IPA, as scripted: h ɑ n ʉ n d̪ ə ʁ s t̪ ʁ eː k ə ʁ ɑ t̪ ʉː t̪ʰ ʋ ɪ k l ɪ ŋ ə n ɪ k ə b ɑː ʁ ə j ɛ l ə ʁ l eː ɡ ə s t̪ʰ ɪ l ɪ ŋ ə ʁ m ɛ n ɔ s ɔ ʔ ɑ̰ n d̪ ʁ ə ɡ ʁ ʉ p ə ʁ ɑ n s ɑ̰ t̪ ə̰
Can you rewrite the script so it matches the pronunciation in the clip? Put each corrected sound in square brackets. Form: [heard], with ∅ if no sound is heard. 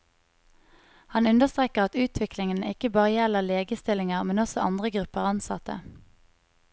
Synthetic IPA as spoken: h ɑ n ʉ n d̪ ə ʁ s t̪ ʁ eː k ə ʁ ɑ t̪ ʉː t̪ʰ ʋ ɪ k l ɪ ŋ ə n ɪ k ə b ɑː ʁ ə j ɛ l ə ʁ l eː ɡ ə s [t̪] ɪ l ɪ ŋ ə ʁ m ɛ n ɔ s ɔ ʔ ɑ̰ n d̪ ʁ ə ɡ ʁ ʉ p ə ʁ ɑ n s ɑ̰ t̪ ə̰